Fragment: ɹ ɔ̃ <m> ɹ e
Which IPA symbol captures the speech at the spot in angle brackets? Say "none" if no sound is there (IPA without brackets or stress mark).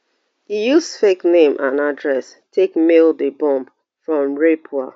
m